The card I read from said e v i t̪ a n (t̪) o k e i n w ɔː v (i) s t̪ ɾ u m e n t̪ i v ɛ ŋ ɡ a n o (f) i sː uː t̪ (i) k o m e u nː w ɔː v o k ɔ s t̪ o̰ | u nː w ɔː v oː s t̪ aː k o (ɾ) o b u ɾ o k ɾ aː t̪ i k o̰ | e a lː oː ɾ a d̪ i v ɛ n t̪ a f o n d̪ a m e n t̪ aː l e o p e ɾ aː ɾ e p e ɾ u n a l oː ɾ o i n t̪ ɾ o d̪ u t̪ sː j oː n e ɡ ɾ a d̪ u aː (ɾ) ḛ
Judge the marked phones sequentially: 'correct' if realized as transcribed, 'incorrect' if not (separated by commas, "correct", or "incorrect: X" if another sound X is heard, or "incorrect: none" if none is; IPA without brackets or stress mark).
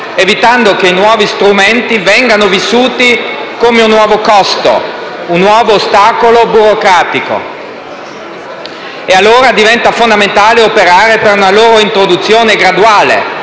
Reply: incorrect: d̪, correct, incorrect: v, correct, incorrect: l, incorrect: l